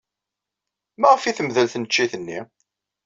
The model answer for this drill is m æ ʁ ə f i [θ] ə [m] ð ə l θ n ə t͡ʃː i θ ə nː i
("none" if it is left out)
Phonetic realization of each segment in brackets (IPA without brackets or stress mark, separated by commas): θ, m